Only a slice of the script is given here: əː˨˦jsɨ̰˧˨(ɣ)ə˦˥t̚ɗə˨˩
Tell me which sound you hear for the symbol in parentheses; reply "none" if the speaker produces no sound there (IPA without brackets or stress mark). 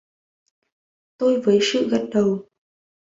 ɣ